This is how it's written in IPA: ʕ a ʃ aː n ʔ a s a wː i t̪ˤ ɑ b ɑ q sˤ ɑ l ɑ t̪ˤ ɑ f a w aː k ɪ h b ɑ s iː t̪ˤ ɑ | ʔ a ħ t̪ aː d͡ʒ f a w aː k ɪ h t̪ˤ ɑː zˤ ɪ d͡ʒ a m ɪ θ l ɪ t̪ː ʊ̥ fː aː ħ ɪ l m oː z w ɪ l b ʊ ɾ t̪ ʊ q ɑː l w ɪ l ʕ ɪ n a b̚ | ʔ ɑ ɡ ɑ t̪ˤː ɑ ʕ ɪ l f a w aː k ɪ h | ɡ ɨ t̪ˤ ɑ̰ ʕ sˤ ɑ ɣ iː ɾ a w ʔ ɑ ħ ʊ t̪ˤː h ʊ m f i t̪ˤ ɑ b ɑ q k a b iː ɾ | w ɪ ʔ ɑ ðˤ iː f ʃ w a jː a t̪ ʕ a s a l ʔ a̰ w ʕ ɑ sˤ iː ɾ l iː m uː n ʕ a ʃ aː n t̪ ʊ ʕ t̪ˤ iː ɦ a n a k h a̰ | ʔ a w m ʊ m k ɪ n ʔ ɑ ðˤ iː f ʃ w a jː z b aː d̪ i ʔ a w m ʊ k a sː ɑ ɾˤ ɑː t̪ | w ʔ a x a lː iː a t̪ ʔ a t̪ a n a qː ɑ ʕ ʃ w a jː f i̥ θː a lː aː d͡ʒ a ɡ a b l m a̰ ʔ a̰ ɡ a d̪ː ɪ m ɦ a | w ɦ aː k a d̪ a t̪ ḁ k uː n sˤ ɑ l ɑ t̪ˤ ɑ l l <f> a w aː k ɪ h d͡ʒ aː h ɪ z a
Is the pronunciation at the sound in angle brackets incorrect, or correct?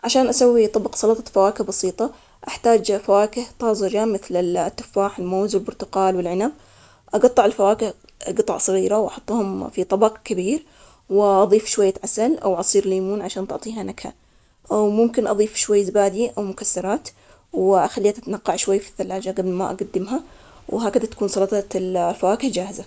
correct